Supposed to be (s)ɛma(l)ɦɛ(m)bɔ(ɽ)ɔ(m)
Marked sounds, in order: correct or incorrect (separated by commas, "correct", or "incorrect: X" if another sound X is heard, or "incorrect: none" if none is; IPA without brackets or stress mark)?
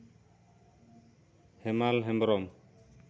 incorrect: h, correct, correct, incorrect: ɾ, correct